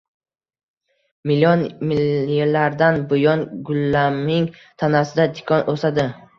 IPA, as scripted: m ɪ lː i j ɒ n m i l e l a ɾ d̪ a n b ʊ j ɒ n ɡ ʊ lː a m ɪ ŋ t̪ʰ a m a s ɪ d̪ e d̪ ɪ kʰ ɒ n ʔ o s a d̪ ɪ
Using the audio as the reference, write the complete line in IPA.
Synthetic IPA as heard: m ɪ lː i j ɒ n m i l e l a ɾ d̪ a n b ʊ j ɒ n ɡ ʊ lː a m ɪ ŋ t̪ʰ a n a s ɪ d̪ a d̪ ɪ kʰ ɒ n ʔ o s a d̪ ɪ